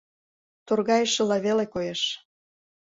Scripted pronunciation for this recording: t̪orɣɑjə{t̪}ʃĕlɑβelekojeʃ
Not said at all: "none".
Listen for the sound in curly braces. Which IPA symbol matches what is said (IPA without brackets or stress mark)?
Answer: none